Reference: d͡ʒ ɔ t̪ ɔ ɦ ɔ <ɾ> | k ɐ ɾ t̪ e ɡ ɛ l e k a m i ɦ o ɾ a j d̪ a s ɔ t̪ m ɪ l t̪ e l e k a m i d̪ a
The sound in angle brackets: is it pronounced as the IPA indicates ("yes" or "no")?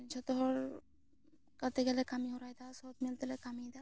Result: yes